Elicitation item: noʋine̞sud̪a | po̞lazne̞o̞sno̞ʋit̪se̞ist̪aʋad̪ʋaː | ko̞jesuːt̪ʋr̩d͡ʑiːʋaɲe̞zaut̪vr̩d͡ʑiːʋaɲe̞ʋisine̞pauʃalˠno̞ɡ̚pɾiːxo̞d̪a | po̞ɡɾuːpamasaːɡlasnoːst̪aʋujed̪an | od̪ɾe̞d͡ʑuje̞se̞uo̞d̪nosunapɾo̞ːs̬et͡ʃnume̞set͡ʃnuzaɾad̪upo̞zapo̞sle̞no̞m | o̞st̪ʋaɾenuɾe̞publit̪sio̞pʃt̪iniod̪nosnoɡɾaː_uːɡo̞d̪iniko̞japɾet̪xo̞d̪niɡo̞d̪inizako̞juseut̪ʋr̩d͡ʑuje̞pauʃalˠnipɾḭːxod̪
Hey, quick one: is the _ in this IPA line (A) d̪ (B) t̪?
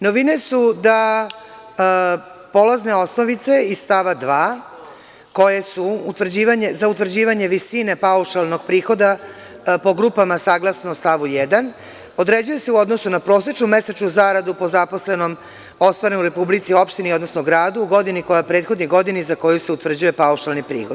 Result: A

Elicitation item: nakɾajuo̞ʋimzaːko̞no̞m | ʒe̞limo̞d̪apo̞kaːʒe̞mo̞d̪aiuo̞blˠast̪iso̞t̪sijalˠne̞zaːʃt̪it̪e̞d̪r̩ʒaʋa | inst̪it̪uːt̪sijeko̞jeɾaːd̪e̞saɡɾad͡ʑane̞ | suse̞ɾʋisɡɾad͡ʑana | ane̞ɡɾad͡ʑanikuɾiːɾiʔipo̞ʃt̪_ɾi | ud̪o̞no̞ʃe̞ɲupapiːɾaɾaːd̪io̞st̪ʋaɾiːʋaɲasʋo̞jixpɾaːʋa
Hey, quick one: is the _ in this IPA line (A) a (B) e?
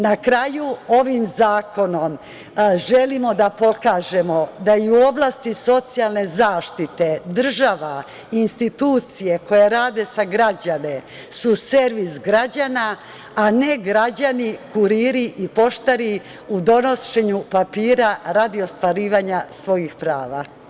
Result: A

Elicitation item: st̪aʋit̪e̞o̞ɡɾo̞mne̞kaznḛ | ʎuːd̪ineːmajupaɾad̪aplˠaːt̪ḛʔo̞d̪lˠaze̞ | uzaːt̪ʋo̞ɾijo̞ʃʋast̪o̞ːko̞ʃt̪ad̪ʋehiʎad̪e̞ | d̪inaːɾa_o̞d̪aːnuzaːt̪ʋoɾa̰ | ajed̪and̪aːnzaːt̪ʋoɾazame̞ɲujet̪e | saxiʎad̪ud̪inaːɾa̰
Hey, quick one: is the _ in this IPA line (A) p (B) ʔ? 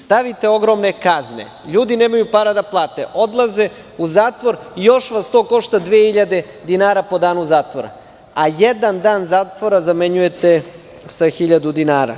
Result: A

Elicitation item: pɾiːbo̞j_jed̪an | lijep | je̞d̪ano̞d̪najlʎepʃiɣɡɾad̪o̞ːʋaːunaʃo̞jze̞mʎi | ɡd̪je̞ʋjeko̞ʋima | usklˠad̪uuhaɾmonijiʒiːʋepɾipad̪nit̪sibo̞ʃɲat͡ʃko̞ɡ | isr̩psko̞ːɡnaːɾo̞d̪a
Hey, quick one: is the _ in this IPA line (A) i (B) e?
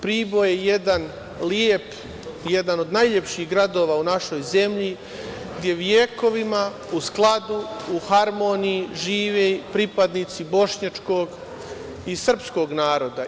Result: B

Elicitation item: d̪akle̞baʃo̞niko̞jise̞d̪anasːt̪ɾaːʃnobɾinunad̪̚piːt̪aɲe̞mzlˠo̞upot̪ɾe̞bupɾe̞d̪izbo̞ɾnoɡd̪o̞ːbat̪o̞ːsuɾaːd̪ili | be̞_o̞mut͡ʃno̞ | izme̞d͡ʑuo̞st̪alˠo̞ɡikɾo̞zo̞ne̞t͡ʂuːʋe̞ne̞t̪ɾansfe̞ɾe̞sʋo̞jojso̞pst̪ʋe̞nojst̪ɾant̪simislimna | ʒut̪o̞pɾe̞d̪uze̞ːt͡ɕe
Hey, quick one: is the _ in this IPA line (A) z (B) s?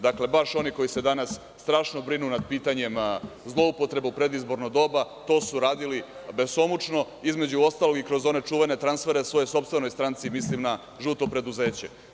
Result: B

